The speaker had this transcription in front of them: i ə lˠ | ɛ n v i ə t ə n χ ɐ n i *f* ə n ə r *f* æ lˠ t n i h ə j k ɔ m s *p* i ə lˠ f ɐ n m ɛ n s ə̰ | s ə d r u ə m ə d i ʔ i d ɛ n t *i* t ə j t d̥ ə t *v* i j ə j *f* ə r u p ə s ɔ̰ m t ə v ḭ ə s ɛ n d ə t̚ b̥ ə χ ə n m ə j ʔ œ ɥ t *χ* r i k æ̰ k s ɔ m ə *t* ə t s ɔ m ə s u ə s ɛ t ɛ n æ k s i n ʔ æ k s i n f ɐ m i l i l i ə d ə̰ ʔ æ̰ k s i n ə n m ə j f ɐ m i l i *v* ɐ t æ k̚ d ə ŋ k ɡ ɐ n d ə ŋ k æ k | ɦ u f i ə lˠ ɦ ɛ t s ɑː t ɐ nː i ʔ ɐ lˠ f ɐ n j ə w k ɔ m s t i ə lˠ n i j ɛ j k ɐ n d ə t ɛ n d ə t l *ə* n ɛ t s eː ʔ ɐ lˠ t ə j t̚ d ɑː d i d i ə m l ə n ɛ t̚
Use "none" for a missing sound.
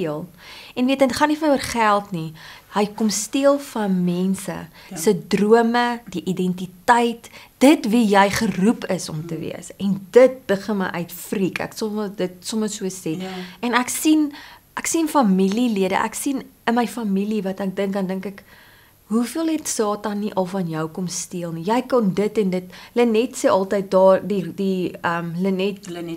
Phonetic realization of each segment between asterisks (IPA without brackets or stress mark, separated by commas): f, χ, t, i, v, χ, f, d, v, ə